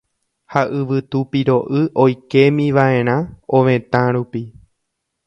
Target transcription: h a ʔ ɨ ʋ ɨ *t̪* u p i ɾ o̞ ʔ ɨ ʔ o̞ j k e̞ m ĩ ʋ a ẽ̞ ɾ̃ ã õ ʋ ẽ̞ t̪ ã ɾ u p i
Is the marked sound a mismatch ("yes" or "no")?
no